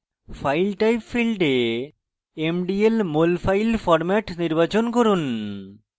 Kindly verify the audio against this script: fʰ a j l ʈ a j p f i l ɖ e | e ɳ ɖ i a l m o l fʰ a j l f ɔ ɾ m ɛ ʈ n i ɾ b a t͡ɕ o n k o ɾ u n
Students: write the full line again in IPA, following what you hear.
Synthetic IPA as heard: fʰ a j l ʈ a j p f i l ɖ e | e m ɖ i e l m o l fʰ a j l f ɔ ɾ m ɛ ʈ n i ɾ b a t͡ɕ o n k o ɾ u n